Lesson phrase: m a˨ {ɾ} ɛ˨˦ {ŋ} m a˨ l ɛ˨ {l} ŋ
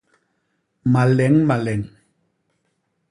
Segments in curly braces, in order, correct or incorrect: incorrect: l, correct, incorrect: none

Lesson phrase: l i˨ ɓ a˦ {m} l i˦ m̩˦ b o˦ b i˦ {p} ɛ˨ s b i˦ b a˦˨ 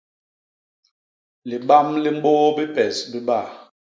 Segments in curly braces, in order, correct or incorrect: correct, correct

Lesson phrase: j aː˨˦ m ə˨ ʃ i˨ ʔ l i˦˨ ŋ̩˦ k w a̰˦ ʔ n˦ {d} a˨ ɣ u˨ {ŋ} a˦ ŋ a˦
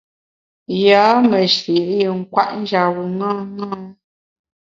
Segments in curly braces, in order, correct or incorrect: incorrect: d͡ʒ, correct

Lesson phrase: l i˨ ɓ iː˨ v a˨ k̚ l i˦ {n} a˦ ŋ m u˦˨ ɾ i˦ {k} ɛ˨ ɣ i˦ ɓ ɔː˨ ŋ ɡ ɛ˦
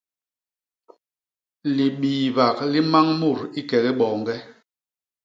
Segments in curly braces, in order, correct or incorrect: incorrect: m, correct

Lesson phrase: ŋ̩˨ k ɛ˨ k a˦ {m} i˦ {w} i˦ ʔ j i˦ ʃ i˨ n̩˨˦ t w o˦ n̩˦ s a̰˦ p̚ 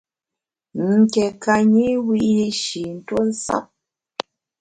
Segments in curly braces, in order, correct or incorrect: incorrect: ɲ, correct

